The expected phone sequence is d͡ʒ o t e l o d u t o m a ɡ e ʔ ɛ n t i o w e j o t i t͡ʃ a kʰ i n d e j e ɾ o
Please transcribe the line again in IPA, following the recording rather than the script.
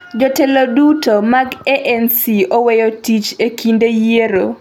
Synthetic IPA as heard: d͡ʒ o t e l o d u t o m a ɡ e ʔ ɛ n s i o w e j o t i t͡ʃ e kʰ i n d e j e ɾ o

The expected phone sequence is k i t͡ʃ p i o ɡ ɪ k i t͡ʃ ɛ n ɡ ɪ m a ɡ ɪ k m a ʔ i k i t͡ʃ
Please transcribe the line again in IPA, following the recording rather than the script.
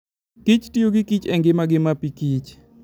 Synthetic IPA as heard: k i t͡ʃ t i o ɡ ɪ k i t͡ʃ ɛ ŋ ɡ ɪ m a ɡ ɪ m a p i k i t͡ʃ

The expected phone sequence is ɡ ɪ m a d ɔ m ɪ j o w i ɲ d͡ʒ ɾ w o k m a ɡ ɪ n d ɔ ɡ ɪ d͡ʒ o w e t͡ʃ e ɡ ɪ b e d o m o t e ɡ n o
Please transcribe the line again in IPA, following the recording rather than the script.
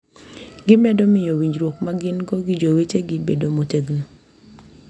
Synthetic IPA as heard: ɡ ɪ m ɛ d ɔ m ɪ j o w i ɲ d͡ʒ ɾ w o k m a ɡ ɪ n ɡ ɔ ɡ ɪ d͡ʒ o w e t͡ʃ e ɡ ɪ b e d o m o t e ɡ n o

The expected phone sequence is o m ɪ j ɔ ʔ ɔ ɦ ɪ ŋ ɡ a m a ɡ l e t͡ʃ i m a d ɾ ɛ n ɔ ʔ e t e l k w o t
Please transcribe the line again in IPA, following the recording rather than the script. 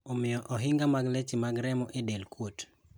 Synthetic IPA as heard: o m ɪ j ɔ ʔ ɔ ɦ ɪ ŋ ɡ a m a ɡ l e t͡ʃ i m a ɡ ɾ ɛ m ɔ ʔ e d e l k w o t

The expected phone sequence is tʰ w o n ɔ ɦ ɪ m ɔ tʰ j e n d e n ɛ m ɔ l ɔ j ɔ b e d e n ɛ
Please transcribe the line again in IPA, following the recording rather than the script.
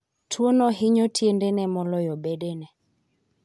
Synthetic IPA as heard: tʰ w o n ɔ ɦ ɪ ɲ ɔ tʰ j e n d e n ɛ m ɔ l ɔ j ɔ b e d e n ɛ

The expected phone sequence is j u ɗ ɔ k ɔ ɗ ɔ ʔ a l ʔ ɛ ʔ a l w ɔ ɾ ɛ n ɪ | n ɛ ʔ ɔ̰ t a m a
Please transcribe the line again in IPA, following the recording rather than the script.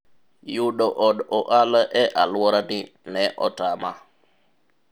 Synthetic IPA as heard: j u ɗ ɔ ʔ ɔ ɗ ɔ ʔ a l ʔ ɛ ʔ a l w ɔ ɾ a n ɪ | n ɛ ʔ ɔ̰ t a m a

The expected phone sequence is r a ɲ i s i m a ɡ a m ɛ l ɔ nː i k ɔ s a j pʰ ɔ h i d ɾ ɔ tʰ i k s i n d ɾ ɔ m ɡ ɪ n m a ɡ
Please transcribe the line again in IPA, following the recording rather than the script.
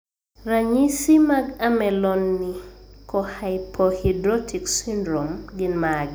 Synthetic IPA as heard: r a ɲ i s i m a ɡ a m ɛ l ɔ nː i k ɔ h a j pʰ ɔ h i d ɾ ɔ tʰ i k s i n d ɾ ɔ m ɡ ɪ n m a ɡ

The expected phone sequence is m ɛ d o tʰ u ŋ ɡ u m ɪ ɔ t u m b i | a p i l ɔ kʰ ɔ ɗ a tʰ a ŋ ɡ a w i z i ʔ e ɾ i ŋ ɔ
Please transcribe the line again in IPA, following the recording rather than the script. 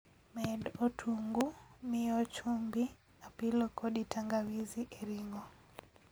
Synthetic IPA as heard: m ɛ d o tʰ u ŋ ɡ u m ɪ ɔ t͡ʃ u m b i | a p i l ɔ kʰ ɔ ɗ i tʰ a ŋ ɡ a w i z i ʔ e ɾ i ŋ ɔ

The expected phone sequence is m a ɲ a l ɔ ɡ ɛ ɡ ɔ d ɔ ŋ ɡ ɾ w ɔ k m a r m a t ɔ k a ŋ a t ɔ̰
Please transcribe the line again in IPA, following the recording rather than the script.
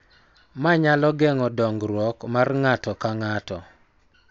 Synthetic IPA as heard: m a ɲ a l ɔ ɡ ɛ ŋ ɔ d ɔ ŋ ɡ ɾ w ɔ k m a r ŋ a t ɔ k a ŋ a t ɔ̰

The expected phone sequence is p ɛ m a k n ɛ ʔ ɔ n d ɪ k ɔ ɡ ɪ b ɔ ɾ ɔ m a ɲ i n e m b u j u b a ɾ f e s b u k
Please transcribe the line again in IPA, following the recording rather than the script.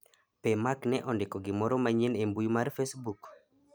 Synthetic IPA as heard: p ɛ m a k n ɛ ʔ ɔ n d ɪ k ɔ ɡ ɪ m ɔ ɾ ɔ m a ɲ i n e m b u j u m a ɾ f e s b u k

